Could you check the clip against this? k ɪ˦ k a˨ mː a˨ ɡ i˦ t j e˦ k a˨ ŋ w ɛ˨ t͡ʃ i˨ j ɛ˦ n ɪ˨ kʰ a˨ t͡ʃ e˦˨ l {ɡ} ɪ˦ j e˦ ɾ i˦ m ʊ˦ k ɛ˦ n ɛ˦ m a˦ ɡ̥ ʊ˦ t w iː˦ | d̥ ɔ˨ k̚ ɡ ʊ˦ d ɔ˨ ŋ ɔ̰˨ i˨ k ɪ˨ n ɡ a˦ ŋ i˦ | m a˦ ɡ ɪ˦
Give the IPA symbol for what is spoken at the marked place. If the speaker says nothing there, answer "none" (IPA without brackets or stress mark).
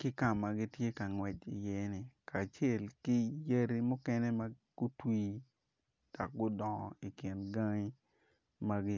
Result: k